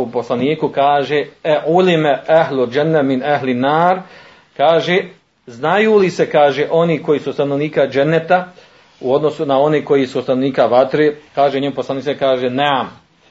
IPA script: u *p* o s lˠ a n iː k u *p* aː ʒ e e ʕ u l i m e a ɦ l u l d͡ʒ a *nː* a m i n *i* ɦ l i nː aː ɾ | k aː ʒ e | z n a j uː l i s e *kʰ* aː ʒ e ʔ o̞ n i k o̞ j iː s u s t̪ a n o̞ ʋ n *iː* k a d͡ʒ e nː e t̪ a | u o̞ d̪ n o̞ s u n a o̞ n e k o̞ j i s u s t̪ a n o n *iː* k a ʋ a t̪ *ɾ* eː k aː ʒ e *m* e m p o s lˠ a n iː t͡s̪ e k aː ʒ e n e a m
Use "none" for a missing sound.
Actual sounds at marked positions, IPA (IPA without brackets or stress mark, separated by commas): p, k, nː, a, k, iː, iː, ɾ, ɲ